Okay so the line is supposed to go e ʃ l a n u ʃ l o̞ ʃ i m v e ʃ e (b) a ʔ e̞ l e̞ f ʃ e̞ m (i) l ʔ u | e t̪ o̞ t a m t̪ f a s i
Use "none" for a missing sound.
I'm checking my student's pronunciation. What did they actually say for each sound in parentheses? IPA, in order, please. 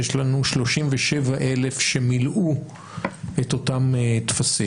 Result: v, i

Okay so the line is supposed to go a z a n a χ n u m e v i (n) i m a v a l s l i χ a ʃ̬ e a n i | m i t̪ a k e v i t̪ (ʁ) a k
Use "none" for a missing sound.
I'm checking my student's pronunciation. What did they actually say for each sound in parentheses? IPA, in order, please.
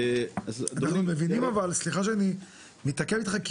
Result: n, χ

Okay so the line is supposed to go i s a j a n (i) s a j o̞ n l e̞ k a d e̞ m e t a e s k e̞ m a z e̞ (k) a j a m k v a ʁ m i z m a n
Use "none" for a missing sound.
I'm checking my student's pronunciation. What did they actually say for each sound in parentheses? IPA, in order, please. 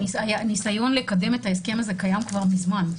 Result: i, k

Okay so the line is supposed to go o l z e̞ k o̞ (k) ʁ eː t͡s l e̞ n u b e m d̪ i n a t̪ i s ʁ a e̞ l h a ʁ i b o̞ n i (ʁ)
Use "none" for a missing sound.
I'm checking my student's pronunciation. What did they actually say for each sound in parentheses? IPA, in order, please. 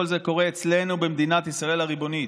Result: none, none

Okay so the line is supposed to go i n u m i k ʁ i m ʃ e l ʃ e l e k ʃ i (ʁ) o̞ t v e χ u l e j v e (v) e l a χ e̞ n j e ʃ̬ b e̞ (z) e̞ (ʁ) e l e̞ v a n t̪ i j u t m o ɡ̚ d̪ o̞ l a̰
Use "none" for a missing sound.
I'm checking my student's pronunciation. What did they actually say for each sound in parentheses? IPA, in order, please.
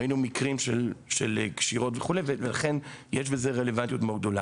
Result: ʁ, v, z, ʁ

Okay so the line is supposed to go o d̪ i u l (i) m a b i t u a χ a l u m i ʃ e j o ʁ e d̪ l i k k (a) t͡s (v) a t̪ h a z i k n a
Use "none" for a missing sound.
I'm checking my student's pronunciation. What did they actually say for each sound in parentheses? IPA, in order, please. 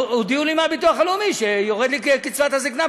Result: i, i, v

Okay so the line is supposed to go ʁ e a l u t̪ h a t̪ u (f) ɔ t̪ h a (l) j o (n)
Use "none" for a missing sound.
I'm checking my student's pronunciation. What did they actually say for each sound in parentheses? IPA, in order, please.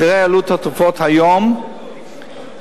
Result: f, none, m

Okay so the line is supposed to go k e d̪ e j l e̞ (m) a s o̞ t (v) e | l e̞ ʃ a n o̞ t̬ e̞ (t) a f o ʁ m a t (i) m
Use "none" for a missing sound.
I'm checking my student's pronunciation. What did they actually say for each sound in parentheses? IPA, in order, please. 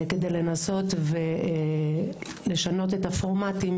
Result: n, v, t, i

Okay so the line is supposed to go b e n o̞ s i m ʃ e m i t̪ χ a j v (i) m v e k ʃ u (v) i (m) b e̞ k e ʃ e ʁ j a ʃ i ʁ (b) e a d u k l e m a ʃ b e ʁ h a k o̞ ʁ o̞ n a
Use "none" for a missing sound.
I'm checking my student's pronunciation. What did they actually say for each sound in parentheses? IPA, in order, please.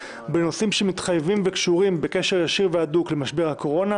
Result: i, ʁ, m, v

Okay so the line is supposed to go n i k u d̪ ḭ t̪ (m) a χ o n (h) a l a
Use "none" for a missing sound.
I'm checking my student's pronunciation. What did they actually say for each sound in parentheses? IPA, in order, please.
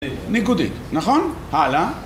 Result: n, h

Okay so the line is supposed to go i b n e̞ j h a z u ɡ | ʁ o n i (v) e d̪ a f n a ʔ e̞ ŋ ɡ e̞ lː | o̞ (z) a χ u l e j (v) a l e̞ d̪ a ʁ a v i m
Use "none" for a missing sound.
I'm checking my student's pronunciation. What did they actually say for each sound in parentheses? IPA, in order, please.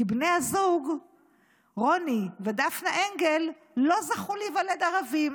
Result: v, z, v

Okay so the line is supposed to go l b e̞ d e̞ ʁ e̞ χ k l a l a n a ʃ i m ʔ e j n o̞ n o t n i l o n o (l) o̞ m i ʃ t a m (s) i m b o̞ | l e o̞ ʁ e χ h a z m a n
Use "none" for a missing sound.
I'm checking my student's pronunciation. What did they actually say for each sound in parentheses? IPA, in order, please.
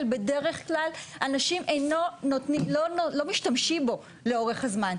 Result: l, ʃ

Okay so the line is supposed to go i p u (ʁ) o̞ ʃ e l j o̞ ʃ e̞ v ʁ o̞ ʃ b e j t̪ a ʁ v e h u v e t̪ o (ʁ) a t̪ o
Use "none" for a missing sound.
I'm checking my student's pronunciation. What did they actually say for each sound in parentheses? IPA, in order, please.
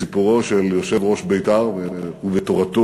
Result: ʁ, ʁ

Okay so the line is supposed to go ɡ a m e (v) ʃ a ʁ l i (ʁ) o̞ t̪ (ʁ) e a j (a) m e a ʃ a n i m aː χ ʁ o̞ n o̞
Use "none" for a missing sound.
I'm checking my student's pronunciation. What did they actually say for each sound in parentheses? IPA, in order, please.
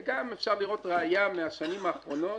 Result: f, ʁ, ʁ, a

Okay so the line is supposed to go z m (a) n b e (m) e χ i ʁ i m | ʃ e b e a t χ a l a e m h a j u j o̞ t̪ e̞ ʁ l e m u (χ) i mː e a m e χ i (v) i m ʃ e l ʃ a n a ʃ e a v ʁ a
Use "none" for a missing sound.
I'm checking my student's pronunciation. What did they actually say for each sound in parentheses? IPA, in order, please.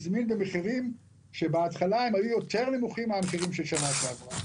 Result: i, m, χ, ʁ

